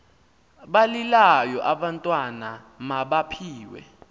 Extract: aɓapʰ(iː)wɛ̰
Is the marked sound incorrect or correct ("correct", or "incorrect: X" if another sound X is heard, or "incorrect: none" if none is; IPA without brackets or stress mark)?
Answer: correct